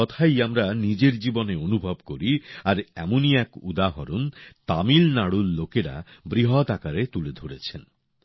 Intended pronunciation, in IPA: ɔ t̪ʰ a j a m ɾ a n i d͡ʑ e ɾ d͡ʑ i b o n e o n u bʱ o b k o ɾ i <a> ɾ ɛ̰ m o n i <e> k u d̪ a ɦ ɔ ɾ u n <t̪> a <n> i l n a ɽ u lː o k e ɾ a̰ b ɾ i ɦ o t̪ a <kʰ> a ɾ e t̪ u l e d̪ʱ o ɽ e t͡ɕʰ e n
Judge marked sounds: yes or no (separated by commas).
yes, no, yes, no, no